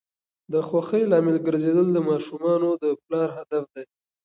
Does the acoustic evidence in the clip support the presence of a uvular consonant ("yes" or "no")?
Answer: no